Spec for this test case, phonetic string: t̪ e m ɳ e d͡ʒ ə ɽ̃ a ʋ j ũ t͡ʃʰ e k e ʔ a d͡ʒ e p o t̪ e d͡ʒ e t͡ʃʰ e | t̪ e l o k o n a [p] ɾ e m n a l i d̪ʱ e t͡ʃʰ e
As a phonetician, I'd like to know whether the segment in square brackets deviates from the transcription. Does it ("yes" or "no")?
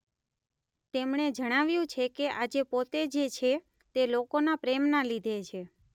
no